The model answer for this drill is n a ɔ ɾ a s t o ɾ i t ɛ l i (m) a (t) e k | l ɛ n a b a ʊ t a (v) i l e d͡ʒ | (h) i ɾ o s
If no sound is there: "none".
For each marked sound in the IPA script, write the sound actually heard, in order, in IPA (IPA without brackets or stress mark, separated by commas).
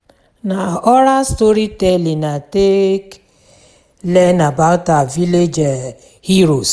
n, t, v, h